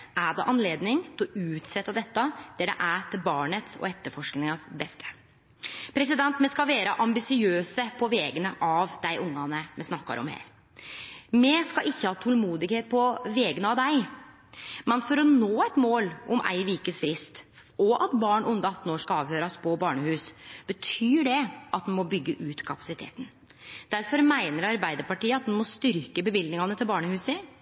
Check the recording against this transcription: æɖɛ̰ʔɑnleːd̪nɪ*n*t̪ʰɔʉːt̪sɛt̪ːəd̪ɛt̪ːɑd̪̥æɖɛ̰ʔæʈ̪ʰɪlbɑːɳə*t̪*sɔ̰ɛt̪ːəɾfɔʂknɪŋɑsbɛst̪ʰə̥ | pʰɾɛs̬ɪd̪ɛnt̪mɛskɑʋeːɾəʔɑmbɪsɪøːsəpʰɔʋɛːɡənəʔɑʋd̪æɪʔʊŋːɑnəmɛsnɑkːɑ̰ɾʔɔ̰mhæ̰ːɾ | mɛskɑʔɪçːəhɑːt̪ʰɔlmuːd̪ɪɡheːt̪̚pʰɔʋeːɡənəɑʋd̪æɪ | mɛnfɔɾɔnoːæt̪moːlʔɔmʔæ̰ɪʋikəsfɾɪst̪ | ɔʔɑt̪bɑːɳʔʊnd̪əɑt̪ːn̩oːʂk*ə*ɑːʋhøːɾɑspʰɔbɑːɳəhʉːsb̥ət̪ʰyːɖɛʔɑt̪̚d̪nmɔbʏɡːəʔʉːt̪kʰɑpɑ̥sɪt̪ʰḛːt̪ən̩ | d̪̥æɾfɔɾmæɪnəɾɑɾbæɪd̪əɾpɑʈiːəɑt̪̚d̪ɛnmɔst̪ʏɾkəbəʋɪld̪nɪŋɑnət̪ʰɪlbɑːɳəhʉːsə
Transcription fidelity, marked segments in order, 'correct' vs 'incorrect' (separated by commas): incorrect, correct, incorrect